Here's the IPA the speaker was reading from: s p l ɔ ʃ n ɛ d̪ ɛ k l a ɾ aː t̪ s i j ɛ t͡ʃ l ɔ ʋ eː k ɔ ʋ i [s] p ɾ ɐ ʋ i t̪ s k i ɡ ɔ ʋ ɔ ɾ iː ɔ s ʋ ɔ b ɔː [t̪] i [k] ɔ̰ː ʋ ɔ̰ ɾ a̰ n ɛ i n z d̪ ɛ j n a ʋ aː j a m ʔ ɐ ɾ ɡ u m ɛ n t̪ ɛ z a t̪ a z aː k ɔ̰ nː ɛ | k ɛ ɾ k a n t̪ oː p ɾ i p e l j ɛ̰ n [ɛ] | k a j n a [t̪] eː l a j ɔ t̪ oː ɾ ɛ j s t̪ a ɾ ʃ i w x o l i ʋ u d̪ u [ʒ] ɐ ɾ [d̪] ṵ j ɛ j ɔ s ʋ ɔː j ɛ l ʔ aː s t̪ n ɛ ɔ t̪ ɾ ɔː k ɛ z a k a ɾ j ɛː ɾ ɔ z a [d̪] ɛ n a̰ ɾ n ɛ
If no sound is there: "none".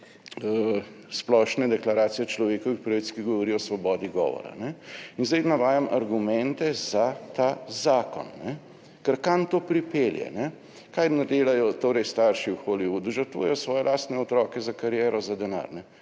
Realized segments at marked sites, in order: x, d̪, ɡ, ɛ, d̪, ʒ, t̪, d̪

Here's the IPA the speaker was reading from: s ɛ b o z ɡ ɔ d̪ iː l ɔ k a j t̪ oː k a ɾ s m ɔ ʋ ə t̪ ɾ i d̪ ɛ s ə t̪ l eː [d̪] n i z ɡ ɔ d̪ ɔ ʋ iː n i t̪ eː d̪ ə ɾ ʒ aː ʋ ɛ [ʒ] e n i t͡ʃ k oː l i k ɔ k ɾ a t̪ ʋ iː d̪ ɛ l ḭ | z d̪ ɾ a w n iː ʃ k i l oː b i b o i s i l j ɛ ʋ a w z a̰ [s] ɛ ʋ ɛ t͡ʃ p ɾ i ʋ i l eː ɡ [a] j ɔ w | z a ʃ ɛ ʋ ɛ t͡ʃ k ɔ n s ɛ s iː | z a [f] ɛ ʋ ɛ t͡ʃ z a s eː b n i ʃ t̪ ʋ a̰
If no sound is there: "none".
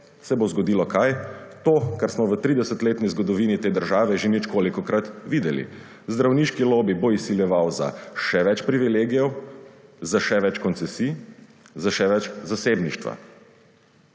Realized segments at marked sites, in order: t̪, ʒ, ʃ, i, ʃ

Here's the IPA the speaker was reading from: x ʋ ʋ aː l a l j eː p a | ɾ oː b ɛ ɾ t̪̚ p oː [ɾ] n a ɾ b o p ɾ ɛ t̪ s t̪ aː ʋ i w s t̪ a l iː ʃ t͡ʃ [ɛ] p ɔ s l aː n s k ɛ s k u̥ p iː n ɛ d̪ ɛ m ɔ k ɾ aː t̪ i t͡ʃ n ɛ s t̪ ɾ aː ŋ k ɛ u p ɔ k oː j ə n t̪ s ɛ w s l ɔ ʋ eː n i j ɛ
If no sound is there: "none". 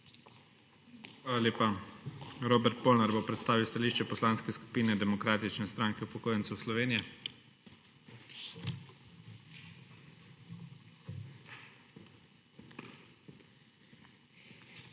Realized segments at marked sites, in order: l, ɛ

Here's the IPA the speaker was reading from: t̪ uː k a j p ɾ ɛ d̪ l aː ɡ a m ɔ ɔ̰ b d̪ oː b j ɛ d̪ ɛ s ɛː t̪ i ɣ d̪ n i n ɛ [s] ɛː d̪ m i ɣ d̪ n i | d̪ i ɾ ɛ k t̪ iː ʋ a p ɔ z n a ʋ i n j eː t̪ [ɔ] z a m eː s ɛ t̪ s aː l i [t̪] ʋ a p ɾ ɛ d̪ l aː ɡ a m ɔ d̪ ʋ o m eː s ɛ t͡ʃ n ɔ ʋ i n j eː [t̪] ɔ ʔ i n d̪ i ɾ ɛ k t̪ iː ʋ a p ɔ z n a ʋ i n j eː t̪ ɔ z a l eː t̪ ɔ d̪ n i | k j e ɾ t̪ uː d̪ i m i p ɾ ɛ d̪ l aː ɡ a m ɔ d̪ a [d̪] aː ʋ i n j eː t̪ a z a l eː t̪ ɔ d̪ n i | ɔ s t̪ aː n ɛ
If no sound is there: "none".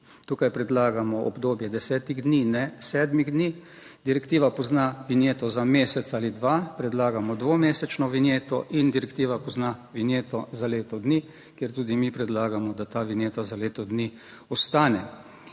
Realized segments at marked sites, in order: s, ɔ, d̪, t̪, t̪

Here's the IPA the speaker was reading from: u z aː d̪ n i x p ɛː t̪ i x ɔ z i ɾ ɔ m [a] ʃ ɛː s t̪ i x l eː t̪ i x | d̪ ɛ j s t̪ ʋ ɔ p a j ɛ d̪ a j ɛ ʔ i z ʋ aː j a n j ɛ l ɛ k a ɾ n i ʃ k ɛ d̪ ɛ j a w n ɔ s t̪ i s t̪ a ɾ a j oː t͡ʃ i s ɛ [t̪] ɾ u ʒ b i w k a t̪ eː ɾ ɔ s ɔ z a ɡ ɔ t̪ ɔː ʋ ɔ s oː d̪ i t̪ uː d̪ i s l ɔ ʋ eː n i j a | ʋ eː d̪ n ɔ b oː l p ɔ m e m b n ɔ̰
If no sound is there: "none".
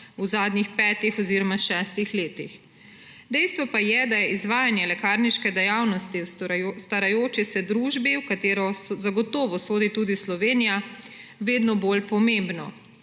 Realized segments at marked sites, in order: a, d̪

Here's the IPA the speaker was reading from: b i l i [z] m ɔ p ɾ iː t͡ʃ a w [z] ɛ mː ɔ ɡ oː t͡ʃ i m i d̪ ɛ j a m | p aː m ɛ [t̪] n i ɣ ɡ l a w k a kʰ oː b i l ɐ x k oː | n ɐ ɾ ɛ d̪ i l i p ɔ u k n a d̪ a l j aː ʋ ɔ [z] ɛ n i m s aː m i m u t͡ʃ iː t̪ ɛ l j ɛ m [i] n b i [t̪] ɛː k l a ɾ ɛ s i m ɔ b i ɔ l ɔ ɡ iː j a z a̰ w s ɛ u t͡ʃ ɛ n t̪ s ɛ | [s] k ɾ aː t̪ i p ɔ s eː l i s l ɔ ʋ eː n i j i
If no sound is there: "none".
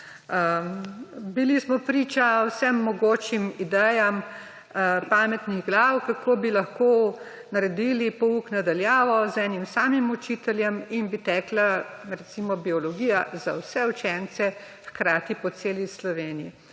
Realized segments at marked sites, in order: s, s, t̪, z, i, t̪, x

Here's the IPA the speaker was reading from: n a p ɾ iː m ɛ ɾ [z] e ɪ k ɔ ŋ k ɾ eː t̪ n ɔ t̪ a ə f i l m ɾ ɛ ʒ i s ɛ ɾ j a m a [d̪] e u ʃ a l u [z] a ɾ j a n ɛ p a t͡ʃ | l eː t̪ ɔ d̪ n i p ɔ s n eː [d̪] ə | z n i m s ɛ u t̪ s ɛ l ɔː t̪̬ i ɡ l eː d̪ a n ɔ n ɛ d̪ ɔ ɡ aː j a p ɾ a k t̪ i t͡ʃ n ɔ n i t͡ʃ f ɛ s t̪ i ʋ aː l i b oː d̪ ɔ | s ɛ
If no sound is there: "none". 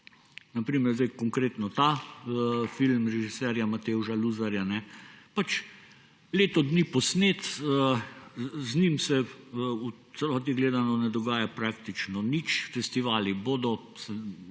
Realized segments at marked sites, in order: z, t̪, z, t̪

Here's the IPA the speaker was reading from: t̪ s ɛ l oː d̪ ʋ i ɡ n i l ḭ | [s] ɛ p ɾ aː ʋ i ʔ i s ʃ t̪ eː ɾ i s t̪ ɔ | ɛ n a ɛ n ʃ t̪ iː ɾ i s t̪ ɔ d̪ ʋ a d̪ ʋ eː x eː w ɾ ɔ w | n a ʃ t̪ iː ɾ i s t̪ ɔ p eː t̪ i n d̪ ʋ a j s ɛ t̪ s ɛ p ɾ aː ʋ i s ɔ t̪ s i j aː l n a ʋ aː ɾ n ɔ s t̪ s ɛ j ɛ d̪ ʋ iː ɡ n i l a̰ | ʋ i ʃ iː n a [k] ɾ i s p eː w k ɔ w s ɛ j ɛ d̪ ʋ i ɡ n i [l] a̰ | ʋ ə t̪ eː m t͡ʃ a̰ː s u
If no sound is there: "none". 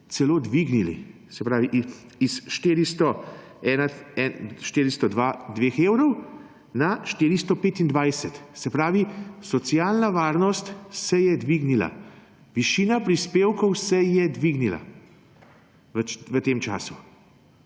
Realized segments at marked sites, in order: s, p, l

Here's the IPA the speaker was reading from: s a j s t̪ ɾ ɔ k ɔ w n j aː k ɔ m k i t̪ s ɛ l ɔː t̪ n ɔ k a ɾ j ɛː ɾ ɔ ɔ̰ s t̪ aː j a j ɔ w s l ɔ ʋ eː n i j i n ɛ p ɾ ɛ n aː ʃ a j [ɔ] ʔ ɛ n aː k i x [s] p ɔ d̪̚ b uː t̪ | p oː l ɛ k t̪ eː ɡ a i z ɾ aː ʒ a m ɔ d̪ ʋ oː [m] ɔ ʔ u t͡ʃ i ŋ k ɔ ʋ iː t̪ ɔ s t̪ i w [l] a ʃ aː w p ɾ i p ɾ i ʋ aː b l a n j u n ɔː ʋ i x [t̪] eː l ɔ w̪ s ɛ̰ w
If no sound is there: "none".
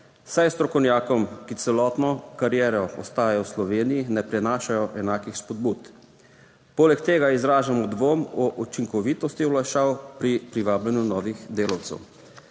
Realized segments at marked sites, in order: ɔ, s, m, l, d̪

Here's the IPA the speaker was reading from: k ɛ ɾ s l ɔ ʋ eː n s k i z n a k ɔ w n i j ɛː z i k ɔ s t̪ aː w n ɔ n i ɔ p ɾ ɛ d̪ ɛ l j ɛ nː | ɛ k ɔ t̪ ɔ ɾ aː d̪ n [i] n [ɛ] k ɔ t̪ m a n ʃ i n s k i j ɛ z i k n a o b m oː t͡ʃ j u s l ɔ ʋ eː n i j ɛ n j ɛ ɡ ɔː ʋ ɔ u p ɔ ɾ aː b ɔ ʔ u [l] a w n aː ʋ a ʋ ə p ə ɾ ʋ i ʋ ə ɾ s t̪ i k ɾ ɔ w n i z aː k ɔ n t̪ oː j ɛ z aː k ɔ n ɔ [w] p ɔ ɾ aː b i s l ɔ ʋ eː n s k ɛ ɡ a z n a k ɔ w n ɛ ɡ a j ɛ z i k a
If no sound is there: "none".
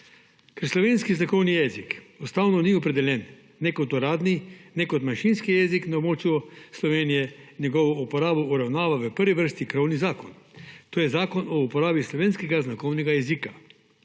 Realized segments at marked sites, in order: i, ɛ, ɾ, u

